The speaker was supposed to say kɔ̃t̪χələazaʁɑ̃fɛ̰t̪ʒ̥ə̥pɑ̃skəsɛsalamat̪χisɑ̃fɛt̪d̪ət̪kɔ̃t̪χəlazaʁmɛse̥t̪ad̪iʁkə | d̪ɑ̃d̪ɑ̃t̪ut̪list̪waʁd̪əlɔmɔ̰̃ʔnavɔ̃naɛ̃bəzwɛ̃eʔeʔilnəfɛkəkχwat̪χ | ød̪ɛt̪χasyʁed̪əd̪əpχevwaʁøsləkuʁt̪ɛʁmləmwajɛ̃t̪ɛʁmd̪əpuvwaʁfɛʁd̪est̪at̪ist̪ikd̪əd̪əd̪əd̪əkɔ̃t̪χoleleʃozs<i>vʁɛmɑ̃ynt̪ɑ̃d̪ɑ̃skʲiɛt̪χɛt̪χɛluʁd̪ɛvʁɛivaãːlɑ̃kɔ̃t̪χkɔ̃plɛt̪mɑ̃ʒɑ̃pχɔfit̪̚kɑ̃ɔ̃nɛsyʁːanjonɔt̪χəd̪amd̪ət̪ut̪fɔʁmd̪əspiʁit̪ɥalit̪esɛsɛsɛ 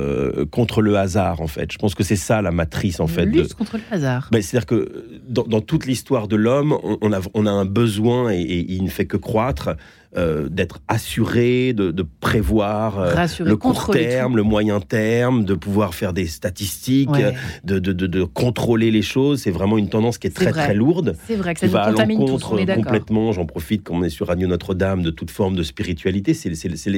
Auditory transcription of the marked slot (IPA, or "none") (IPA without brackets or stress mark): ɛ